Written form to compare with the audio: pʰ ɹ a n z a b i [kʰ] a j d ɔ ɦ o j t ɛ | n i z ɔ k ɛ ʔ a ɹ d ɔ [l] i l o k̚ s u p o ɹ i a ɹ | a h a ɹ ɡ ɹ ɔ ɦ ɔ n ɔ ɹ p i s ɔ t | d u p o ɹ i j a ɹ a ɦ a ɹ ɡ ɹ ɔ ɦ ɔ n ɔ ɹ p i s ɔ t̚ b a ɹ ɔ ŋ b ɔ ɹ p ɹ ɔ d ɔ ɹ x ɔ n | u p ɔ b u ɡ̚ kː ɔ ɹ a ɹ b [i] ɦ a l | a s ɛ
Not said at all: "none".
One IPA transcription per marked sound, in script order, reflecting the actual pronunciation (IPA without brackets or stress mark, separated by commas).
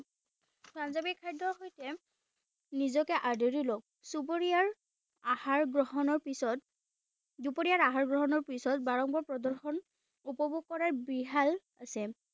kʰ, ɹ, i